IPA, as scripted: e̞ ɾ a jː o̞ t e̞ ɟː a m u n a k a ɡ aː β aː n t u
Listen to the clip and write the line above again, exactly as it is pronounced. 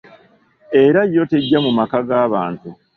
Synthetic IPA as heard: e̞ ɾ a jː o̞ t e̞ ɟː a m u m a k a ɡ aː β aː n t u